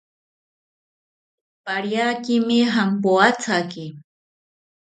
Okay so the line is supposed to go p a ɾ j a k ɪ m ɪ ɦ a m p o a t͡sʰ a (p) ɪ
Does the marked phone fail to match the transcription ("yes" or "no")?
yes